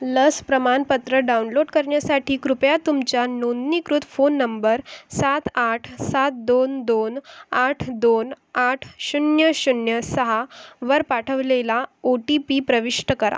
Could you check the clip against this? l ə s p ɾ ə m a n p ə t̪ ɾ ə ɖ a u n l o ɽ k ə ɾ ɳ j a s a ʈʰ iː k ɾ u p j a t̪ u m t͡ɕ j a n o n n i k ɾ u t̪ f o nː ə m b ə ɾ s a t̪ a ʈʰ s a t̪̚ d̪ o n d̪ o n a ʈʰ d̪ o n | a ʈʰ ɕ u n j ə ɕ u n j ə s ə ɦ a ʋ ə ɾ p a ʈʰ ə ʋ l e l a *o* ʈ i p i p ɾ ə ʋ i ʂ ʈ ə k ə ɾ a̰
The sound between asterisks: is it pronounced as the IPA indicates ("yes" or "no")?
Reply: yes